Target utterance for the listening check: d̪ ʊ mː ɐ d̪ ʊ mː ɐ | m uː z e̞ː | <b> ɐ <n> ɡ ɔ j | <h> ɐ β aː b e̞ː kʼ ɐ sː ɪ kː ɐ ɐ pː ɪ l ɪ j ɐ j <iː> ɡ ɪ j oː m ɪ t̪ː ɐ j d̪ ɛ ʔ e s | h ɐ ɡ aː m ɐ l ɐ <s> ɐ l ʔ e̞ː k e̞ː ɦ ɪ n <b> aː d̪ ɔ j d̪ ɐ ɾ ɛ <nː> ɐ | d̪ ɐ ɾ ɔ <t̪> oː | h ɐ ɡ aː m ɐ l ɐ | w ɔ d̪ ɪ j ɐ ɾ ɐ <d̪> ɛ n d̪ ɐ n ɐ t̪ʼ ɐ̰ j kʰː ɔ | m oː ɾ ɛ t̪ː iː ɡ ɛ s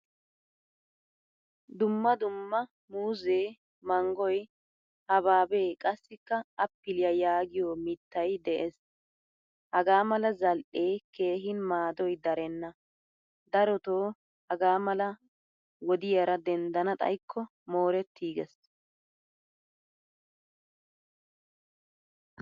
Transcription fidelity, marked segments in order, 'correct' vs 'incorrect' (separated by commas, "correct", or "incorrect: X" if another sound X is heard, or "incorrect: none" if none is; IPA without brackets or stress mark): incorrect: m, incorrect: ŋ, correct, incorrect: aː, incorrect: z, incorrect: m, correct, correct, correct